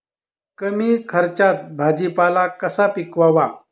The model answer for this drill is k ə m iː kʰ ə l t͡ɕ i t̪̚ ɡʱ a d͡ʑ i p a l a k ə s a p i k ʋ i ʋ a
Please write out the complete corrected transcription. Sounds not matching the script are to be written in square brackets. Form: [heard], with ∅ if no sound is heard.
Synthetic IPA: k ə m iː kʰ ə [ɾ] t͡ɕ [a] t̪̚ [bʱ] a d͡ʑ i p a l a k ə s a p i k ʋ [a] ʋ a